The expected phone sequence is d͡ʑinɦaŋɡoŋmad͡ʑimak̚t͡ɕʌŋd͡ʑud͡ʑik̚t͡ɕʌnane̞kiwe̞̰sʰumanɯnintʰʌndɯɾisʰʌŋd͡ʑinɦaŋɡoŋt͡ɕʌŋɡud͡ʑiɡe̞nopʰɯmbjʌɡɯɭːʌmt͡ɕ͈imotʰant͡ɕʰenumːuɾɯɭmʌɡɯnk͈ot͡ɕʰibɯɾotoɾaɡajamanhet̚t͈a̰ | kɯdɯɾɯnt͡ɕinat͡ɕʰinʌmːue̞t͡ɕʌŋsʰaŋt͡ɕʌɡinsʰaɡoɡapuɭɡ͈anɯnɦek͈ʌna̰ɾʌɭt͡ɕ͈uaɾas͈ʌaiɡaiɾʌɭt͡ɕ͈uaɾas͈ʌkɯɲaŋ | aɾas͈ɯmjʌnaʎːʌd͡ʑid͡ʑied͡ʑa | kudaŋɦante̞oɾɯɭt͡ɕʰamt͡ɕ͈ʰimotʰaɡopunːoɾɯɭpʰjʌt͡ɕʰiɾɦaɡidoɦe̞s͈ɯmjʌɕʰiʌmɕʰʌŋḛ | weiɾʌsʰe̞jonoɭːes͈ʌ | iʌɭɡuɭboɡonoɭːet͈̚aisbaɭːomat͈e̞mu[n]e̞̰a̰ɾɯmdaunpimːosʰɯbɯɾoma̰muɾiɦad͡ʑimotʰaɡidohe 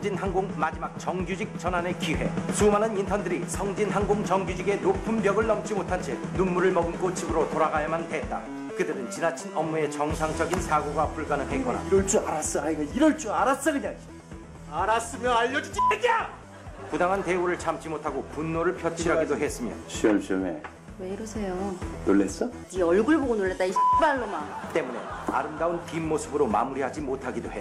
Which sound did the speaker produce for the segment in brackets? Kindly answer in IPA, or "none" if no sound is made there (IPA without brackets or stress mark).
n